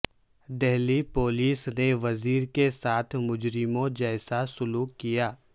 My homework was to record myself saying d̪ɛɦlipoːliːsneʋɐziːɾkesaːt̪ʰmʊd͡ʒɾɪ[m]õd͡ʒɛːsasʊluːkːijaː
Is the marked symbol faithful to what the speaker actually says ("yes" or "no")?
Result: yes